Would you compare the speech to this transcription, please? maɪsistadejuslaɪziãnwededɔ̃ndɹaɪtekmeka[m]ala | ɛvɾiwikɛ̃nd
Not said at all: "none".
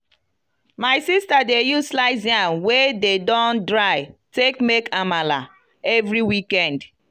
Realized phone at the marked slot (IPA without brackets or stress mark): m